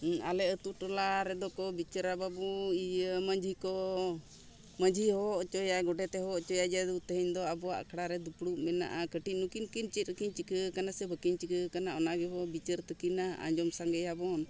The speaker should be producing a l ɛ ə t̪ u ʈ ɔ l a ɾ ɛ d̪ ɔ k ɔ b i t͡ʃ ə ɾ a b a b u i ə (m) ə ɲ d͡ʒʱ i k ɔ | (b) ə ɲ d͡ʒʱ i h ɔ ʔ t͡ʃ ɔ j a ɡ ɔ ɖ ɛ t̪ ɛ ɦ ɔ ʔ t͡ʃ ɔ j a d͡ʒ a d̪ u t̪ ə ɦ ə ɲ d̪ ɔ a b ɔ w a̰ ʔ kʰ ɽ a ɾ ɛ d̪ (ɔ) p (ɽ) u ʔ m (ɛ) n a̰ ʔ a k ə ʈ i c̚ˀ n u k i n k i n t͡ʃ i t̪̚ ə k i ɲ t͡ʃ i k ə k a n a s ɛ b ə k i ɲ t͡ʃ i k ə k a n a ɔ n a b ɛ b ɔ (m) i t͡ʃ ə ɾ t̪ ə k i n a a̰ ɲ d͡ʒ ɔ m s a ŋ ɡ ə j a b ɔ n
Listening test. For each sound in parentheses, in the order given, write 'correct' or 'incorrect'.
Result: correct, incorrect: m, incorrect: u, correct, correct, incorrect: b

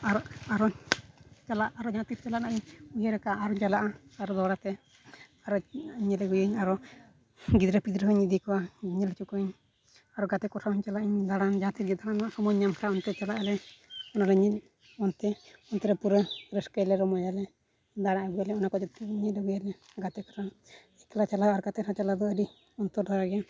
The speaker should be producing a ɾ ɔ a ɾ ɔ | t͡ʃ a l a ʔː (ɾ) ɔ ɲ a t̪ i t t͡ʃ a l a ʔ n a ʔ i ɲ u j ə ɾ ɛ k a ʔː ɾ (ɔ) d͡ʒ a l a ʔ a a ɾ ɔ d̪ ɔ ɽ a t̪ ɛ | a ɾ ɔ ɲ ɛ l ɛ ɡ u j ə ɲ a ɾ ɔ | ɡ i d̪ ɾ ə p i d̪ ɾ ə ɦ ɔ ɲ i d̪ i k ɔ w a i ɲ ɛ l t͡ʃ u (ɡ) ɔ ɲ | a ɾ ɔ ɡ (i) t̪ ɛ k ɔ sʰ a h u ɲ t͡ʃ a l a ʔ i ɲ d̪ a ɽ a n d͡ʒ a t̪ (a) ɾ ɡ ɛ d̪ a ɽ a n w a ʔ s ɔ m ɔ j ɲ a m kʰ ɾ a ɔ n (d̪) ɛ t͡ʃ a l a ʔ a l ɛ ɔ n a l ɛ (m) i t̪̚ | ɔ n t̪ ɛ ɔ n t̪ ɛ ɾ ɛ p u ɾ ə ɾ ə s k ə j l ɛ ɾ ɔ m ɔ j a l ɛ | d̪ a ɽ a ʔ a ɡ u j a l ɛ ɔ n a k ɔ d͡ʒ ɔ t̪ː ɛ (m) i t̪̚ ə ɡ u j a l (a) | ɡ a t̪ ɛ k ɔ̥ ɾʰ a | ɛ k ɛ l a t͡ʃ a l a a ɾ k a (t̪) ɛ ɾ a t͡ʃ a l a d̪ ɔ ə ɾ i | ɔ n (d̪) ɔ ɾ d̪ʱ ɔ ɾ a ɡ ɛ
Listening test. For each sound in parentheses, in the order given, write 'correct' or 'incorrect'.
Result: correct, correct, incorrect: k, incorrect: a, incorrect: i, incorrect: t̪, incorrect: ɲ, incorrect: ɲ, incorrect: ɛ, correct, incorrect: t̪

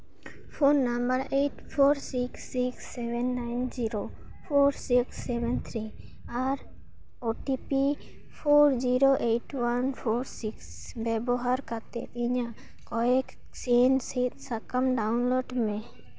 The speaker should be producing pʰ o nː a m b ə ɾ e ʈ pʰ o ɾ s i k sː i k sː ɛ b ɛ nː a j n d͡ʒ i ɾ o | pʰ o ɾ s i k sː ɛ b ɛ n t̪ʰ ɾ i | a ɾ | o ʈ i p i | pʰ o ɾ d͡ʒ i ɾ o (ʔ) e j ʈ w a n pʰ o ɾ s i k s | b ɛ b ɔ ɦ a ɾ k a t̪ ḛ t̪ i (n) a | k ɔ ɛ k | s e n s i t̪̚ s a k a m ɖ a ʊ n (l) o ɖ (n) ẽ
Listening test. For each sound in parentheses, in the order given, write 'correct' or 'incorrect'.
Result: correct, incorrect: ɲ, correct, incorrect: m

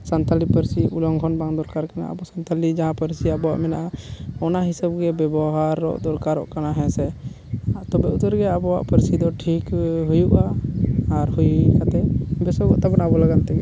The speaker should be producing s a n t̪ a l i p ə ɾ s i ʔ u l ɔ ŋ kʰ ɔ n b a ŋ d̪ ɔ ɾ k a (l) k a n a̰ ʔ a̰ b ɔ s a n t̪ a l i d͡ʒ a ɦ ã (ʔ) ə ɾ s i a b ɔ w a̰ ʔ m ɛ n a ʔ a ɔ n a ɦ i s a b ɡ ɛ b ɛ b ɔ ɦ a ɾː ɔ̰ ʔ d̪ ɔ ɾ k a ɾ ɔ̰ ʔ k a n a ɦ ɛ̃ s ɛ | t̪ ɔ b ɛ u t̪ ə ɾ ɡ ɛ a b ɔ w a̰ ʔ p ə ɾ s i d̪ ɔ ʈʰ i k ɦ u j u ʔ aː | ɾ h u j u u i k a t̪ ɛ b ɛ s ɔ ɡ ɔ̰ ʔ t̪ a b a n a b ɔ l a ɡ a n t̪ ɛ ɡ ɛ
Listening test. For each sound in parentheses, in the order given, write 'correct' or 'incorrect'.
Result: incorrect: ɾ, incorrect: p

